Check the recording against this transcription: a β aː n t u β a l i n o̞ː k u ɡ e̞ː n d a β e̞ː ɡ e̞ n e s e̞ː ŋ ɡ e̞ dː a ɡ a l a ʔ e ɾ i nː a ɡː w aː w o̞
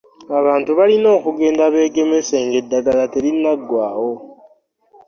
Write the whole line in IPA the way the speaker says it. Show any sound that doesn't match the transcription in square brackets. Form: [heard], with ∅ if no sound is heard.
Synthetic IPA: a β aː n t u β a l i n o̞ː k u ɡ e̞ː n d a β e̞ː ɡ e̞ [m] e s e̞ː ŋ ɡ e̞ dː a ɡ a l a [t] e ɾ i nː a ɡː w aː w o̞